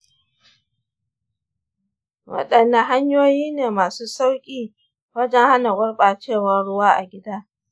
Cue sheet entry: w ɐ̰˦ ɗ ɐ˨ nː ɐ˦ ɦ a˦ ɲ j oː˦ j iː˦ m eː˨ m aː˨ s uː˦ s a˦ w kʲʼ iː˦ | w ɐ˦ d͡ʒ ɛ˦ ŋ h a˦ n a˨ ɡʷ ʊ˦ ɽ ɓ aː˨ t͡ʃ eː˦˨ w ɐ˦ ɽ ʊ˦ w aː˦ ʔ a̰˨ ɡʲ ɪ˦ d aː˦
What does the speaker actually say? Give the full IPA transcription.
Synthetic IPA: w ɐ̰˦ ɗ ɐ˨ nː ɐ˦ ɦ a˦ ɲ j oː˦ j iː˦ n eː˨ m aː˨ s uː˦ s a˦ w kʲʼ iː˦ | w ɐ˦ d͡ʒ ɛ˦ ŋ h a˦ n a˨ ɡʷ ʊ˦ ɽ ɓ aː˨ t͡ʃ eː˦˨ w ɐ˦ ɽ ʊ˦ w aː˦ ʔ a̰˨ ɡʲ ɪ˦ d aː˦